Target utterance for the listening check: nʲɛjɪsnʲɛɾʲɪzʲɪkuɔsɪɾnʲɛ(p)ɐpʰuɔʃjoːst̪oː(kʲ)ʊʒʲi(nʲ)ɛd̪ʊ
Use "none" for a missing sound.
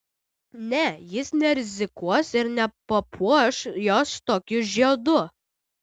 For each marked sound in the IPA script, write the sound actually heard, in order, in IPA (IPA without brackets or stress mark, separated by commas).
p, kʲ, none